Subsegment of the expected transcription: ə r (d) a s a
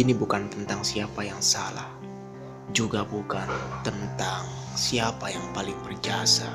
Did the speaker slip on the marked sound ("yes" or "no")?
yes